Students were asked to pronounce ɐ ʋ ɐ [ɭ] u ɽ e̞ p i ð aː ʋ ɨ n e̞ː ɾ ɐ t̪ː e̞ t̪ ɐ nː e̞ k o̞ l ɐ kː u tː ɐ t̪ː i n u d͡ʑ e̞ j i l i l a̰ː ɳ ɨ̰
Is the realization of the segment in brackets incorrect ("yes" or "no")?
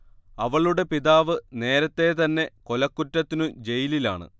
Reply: no